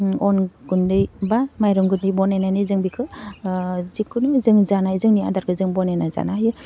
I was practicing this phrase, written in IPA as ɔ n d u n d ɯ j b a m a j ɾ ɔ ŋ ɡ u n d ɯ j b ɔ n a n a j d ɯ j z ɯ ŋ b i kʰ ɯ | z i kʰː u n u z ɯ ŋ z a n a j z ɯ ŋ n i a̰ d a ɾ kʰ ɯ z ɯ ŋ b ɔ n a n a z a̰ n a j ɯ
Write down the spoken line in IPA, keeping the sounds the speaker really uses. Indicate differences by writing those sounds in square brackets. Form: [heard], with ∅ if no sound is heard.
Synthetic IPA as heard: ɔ n [ɡ] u n d ɯ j b a m a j ɾ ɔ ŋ ɡ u n d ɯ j b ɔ n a n a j [n] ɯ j z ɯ ŋ b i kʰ ɯ | z i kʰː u n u z ɯ ŋ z a n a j z ɯ ŋ n i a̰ d a ɾ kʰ ɯ z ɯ ŋ b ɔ n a n a z a̰ n a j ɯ